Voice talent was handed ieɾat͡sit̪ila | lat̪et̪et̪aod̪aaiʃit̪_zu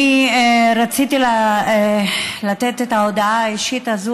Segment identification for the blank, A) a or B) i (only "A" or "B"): A